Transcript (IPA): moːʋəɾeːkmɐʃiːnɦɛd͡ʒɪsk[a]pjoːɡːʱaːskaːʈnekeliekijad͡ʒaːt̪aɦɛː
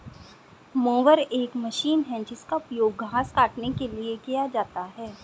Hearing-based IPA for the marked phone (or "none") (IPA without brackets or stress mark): a